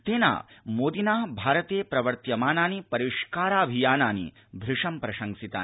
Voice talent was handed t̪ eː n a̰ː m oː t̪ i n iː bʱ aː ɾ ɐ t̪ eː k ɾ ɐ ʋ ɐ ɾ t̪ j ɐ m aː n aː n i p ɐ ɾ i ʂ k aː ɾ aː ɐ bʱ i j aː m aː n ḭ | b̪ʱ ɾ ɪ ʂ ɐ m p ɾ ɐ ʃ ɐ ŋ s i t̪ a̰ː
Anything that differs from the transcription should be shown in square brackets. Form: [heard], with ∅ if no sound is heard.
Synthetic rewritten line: t̪ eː n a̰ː m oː [d̪] i n [aː] bʱ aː ɾ ɐ t̪ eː [p] ɾ ɐ ʋ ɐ ɾ t̪ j ɐ m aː n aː n i p ɐ ɾ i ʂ k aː ɾ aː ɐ bʱ i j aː [n] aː n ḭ | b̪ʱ ɾ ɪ ʂ ɐ m p ɾ ɐ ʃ ɐ ŋ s i t̪ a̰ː